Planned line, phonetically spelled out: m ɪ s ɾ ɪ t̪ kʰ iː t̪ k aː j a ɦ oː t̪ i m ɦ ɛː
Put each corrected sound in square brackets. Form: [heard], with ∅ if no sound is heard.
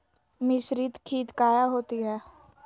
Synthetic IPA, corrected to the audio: m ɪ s ɾ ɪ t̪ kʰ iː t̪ k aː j a ɦ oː t̪ i [∅] ɦ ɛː